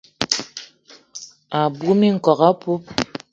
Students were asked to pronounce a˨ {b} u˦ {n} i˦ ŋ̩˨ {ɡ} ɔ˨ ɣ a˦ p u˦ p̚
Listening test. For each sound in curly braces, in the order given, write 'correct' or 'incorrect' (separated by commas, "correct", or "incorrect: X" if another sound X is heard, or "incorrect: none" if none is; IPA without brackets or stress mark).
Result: correct, incorrect: m, incorrect: k